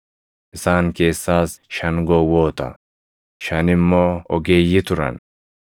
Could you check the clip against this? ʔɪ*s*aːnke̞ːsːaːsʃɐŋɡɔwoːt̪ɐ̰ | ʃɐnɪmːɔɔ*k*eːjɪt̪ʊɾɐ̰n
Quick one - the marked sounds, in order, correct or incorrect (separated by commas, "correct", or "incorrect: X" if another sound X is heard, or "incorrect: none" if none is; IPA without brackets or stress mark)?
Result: correct, incorrect: ɡ